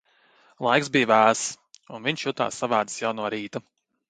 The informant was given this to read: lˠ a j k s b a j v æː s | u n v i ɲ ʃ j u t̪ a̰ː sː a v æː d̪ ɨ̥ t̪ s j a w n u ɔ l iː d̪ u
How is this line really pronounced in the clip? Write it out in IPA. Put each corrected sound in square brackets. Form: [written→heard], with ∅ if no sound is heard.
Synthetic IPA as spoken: lˠ a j k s b [a→i] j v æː s | u n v i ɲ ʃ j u t̪ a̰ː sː a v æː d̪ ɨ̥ [t̪→∅] s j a w n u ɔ [l→ɾ] iː [d̪→t̪] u